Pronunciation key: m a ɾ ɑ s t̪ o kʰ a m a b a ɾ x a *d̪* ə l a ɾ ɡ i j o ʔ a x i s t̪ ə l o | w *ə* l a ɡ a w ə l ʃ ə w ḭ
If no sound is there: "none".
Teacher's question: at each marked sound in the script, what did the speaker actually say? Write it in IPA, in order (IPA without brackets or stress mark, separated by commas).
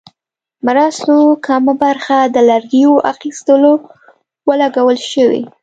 d̪, ə